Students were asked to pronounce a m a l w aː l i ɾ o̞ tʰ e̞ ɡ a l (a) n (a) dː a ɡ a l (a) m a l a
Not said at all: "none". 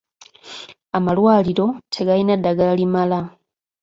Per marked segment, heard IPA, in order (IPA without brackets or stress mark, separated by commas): i, a, i